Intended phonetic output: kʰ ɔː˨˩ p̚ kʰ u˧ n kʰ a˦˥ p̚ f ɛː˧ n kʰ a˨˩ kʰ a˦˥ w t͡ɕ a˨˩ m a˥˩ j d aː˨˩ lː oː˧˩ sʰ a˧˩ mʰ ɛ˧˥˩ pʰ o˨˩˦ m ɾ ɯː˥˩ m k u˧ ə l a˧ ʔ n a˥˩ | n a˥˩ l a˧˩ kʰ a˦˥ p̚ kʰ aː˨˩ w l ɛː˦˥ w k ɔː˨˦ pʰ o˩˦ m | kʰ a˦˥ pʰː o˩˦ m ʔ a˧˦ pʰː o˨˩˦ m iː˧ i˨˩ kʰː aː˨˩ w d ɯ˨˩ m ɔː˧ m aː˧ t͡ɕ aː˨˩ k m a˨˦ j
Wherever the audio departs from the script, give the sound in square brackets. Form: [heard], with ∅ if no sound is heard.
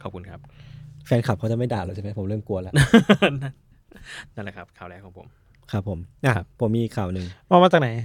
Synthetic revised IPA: kʰ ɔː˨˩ p̚ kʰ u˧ n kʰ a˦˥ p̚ f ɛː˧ n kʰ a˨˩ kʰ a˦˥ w t͡ɕ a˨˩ m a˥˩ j d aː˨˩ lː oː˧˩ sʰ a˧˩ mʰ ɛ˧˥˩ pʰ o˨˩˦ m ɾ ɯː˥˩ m k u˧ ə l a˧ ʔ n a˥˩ | n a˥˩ l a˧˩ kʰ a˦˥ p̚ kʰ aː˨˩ w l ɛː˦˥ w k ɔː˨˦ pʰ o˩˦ m | kʰ a˦˥ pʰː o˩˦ m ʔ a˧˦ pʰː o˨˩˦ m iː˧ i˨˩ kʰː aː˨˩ w [n] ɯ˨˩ [ŋ] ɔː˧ m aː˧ t͡ɕ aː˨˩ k [n] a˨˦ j